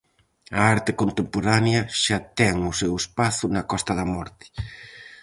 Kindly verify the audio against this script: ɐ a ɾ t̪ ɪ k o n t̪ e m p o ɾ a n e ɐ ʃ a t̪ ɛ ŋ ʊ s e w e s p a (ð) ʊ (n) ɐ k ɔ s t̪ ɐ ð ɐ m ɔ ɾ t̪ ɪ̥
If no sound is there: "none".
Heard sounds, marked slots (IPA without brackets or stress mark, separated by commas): θ, n